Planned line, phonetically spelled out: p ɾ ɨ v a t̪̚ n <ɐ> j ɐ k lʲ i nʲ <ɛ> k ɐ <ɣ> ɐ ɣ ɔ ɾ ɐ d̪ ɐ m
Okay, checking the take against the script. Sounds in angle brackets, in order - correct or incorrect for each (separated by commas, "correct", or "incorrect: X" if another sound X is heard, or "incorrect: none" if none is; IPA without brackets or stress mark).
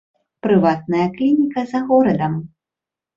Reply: correct, incorrect: i, incorrect: z